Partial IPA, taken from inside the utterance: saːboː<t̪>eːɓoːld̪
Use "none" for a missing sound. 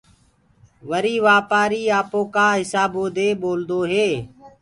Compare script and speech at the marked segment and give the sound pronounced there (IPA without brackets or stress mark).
d̪